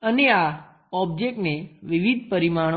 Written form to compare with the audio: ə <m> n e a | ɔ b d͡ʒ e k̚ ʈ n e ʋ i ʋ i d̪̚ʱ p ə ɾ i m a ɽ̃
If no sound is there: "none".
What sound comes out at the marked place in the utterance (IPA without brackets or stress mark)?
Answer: none